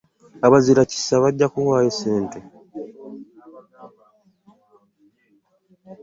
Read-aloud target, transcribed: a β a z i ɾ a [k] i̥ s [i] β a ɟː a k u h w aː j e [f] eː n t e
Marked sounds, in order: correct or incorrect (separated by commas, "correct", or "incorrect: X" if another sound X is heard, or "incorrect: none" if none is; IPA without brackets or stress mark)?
incorrect: c, incorrect: a, incorrect: s